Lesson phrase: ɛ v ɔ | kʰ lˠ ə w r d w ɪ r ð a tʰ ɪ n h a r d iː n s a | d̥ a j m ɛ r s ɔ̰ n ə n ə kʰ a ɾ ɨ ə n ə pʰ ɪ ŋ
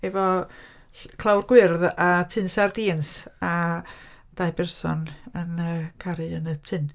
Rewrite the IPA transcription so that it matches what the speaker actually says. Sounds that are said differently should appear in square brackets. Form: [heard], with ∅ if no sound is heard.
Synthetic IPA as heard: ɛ v ɔ | kʰ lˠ [a] w r [ɡ] w ɪ r ð a tʰ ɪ n [s] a r d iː n s a | d̥ a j [b] ɛ r s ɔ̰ n ə n ə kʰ a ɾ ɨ ə n ə [tʰ] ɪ [n]